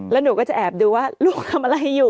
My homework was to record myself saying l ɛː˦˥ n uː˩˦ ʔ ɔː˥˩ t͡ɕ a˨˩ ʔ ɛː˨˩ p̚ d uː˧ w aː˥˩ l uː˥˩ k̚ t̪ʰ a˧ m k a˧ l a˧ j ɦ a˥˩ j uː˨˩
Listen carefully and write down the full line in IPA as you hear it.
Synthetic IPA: l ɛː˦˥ n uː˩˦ k ɔː˥˩ t͡ɕ a˨˩ ʔ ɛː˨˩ p̚ d uː˧ w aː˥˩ l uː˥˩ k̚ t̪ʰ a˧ m ʔ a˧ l a˧ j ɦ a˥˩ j uː˨˩